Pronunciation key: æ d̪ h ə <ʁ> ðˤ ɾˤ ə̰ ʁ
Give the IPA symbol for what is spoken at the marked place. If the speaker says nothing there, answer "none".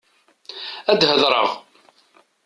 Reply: none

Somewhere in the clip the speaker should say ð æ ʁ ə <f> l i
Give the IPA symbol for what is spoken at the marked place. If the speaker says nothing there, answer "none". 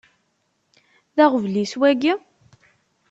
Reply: v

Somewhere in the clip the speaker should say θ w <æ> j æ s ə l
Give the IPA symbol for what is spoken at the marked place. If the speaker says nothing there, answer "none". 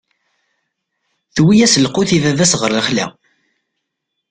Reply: i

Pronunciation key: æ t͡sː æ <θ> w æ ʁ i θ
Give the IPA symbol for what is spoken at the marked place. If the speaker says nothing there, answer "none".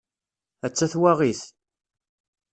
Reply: θ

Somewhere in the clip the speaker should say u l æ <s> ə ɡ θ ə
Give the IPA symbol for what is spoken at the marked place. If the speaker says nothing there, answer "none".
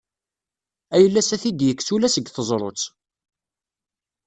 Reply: s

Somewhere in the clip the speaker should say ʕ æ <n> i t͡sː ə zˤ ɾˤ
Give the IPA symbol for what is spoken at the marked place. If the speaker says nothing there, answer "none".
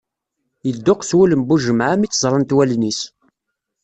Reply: m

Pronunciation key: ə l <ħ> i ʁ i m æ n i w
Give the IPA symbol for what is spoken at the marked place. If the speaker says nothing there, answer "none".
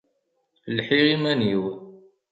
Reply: ħ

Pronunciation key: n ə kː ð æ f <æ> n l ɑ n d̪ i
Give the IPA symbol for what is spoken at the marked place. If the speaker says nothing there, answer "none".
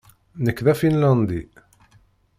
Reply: i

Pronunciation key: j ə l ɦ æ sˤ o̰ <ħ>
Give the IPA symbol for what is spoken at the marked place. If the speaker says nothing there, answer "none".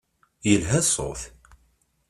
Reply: θ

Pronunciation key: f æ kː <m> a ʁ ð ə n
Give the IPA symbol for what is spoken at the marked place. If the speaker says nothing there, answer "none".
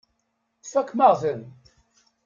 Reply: m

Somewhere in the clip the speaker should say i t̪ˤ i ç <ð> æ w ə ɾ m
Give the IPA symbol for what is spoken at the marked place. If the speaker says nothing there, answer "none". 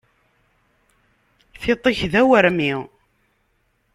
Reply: ð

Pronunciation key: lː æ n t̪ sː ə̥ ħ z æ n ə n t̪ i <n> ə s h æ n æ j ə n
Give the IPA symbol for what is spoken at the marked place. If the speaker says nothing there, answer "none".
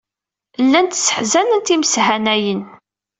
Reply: m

